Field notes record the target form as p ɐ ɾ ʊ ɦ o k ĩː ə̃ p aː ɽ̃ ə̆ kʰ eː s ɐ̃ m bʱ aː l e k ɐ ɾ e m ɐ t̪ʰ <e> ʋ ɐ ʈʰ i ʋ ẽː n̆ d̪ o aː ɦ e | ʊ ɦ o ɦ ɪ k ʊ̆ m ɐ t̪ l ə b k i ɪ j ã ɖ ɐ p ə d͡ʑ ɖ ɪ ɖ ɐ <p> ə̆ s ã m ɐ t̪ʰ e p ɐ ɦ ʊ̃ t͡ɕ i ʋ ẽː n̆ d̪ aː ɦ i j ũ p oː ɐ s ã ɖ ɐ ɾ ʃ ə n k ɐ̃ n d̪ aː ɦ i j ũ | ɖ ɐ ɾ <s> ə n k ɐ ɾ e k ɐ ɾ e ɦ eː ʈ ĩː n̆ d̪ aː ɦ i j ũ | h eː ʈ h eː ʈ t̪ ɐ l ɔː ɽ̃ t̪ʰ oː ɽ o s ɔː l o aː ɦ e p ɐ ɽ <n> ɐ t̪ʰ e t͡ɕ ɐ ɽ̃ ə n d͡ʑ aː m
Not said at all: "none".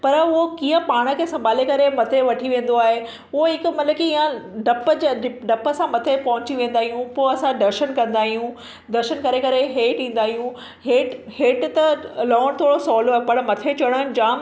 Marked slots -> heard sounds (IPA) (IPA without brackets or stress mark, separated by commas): e, p, ʃ, m